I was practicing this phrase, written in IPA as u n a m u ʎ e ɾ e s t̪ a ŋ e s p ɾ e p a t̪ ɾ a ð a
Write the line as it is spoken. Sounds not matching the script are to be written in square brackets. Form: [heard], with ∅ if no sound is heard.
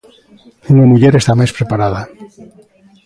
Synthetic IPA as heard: u n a m u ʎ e ɾ e s t̪ a [m] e s p ɾ e p a [∅] ɾ a ð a